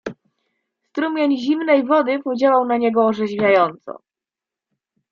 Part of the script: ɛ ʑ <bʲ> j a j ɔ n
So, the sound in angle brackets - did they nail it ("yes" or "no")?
no